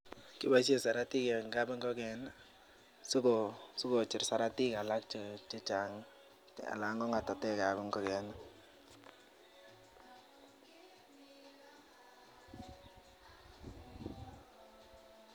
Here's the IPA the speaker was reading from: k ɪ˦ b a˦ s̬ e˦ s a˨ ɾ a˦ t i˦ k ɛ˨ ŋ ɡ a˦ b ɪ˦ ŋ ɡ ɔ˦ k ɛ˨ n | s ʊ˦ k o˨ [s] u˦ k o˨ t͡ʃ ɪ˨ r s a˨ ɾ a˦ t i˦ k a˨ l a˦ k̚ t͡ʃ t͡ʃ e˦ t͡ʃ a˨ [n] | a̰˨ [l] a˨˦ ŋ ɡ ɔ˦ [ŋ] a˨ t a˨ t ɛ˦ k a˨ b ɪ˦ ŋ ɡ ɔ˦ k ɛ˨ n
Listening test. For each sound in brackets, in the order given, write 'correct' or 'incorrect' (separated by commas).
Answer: correct, incorrect, correct, correct